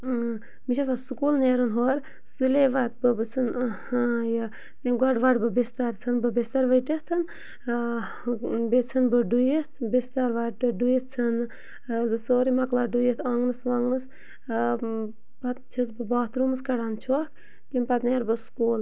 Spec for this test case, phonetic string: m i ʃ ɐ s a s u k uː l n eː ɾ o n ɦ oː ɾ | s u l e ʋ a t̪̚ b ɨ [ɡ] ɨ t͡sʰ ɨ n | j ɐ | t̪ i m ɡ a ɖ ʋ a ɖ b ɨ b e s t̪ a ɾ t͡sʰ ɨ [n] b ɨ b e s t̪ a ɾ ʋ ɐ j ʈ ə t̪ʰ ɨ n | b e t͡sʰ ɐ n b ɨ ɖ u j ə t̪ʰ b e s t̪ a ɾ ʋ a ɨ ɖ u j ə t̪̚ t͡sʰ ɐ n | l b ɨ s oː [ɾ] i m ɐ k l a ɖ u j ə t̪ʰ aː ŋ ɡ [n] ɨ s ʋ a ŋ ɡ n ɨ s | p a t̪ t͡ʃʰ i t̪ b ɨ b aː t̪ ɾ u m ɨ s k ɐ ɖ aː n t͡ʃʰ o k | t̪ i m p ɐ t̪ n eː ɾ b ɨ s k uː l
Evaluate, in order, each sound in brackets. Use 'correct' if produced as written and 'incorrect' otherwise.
incorrect: b, correct, correct, correct

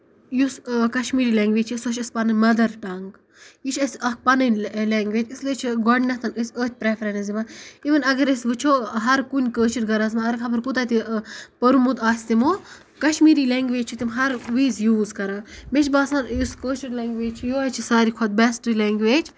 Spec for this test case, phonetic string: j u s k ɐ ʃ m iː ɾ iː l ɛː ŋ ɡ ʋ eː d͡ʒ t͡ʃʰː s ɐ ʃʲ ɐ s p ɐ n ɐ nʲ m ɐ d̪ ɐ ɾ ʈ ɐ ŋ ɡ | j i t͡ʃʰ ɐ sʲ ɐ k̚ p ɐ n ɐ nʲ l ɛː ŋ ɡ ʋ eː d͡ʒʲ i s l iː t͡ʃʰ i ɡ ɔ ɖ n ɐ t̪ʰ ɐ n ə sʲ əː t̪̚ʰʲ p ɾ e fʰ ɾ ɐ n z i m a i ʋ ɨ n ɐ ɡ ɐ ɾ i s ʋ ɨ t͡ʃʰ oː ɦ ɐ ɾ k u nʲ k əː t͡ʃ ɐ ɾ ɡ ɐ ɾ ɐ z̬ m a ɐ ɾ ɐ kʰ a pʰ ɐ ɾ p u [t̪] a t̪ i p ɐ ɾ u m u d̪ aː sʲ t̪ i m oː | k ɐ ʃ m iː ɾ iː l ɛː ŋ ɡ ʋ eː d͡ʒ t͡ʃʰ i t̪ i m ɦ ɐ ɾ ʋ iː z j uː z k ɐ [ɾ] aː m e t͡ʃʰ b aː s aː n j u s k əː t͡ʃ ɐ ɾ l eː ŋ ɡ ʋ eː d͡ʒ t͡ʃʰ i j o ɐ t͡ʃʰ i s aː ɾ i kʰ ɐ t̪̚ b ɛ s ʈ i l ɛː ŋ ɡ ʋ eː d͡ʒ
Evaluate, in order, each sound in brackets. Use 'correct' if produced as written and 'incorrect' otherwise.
correct, correct

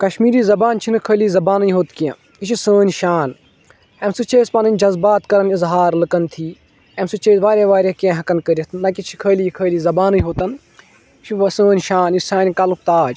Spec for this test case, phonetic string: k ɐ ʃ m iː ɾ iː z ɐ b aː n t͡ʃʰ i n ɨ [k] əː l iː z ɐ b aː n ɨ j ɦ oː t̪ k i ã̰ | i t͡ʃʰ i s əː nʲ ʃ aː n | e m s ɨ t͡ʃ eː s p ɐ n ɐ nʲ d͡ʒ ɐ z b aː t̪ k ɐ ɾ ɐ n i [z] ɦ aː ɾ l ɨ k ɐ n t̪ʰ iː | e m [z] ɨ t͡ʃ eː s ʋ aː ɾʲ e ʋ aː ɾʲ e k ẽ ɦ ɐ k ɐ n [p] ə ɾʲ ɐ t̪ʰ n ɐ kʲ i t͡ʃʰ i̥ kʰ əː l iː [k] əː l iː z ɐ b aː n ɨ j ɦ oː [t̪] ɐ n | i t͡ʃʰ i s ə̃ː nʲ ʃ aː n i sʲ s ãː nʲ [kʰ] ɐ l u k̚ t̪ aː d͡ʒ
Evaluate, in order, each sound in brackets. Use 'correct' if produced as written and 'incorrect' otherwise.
incorrect: kʰ, correct, incorrect: s, incorrect: k, incorrect: kʰ, correct, incorrect: k

